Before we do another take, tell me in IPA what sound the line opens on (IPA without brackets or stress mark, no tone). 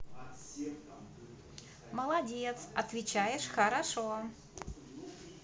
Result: m